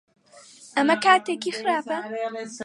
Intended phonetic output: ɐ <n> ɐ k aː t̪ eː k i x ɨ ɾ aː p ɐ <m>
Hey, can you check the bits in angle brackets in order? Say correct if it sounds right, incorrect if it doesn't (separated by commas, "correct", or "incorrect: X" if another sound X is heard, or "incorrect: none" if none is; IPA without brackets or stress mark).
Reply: incorrect: m, incorrect: none